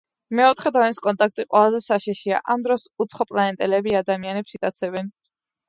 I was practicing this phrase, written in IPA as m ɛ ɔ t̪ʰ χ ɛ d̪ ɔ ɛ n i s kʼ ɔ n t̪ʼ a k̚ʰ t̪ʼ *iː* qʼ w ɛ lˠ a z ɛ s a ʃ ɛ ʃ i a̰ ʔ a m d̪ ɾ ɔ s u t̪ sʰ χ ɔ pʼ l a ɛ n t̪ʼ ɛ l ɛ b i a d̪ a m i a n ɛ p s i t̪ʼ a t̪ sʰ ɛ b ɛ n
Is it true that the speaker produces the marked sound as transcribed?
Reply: no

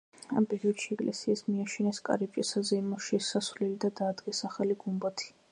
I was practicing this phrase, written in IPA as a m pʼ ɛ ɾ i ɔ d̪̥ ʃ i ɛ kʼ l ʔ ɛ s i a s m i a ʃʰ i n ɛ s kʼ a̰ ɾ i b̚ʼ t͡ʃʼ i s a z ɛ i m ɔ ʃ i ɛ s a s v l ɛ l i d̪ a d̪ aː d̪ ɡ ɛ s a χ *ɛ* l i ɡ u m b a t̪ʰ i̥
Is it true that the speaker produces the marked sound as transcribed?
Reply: no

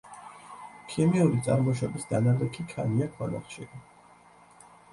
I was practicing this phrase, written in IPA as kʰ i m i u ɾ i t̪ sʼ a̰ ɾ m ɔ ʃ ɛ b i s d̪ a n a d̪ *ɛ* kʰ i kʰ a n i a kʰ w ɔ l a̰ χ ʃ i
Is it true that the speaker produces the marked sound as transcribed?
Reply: yes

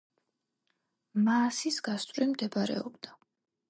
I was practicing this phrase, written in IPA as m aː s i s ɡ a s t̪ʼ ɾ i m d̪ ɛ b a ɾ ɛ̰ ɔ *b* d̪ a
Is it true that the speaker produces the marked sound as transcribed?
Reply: yes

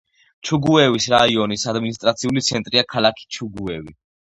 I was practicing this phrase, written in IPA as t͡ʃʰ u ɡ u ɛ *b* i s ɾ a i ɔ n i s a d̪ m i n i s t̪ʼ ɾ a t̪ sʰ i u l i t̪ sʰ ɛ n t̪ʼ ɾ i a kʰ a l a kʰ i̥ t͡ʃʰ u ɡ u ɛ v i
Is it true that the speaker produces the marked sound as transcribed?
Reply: no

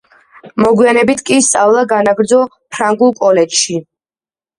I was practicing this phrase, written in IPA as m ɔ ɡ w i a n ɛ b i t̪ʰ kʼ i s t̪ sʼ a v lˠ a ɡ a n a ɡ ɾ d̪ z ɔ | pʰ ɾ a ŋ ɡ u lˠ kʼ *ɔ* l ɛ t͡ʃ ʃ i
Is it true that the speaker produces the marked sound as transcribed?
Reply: yes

